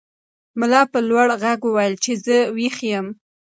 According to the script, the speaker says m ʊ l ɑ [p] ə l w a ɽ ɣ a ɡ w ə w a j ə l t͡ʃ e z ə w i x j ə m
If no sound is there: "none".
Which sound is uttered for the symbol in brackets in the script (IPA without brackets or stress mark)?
p